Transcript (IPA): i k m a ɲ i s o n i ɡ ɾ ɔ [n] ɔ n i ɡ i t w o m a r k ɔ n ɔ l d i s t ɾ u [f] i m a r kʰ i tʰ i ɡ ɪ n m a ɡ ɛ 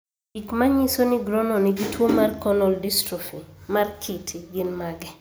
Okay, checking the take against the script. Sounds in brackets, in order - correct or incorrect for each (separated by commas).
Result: correct, correct